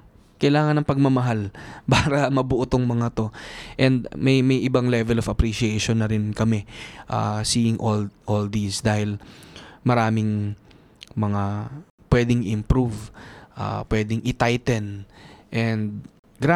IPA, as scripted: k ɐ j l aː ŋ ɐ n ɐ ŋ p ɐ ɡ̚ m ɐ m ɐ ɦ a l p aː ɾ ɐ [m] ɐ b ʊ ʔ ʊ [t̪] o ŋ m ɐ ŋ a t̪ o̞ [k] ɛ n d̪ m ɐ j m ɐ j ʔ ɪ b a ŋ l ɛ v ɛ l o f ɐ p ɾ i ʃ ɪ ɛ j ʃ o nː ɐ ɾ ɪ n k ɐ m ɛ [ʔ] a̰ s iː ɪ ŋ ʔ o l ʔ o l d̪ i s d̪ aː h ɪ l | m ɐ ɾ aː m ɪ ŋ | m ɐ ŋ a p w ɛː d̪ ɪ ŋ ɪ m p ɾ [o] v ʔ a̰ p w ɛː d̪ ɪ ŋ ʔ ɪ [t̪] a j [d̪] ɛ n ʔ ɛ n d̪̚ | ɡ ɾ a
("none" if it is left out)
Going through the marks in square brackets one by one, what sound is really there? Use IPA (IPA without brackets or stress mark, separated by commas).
m, t̪, ʔ, ʔ, u, t̪, t̪